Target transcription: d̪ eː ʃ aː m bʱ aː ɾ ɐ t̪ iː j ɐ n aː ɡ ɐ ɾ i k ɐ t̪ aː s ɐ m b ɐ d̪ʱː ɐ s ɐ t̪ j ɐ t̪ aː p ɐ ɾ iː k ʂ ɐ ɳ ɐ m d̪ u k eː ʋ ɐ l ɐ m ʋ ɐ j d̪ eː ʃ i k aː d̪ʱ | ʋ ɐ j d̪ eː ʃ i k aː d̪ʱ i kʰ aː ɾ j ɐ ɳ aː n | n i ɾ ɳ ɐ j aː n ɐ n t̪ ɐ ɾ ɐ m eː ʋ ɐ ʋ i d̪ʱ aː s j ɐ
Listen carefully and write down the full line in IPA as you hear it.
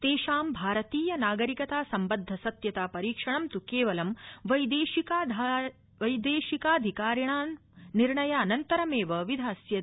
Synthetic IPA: t̪ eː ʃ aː m bʱ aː ɾ ɐ t̪ iː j ɐ n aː ɡ ɐ ɾ i k ɐ t̪ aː s ɐ m b ɐ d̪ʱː ɐ s ɐ t̪ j ɐ t̪ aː p ɐ ɾ iː k ʂ ɐ ɳ ɐ m t̪ u k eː ʋ ɐ l ɐ m ʋ ɐ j d̪ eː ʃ i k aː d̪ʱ | ʋ ɐ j d̪ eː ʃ i k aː d̪ʱ i k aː ɾ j ɐ ɳ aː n | n i ɾ ɳ ɐ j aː n ɐ n t̪ ɐ ɾ ɐ m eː ʋ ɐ ʋ i d̪ʱ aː s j ɐ